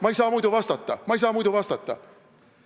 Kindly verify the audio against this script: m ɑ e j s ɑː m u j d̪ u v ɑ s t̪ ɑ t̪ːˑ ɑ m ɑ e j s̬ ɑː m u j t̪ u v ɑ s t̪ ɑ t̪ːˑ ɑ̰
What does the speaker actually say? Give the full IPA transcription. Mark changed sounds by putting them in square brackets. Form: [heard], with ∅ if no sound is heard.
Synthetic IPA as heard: m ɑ e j s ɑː m u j d̪ u v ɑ s t̪ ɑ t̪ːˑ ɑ m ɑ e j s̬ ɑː m u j [d̪] u v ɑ s t̪ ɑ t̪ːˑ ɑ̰